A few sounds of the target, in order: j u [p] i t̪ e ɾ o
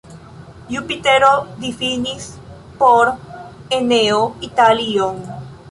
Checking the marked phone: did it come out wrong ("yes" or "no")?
no